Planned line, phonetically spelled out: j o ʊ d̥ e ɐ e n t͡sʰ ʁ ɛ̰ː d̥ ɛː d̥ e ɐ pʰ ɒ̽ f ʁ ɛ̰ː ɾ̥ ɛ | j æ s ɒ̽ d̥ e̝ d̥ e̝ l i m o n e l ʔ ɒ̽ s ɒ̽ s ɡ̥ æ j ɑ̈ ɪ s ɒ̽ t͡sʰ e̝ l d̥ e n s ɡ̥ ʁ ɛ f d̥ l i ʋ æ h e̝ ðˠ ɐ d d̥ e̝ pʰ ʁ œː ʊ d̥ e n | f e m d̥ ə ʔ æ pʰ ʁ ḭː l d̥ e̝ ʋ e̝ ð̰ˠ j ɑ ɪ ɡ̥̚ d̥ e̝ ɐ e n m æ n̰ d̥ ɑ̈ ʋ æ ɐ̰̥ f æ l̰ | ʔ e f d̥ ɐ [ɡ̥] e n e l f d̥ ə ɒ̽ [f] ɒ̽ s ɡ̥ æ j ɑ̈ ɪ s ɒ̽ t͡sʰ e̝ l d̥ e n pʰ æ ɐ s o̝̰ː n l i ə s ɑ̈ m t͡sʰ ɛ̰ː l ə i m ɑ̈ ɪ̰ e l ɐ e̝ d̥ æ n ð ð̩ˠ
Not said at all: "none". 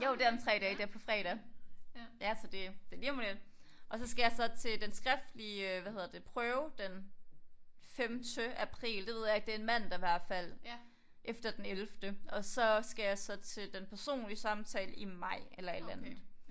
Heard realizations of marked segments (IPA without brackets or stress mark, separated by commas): d̥, s